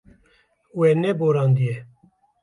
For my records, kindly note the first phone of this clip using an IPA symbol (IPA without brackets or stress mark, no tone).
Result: w